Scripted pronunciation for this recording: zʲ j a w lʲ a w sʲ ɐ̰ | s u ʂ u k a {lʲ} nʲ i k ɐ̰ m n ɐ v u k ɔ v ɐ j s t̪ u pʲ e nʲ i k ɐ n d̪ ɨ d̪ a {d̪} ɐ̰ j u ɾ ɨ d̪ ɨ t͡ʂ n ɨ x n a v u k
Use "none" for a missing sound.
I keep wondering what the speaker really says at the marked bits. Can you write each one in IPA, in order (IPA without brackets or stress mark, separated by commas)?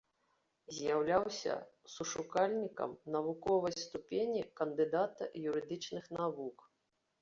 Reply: lʲ, t̪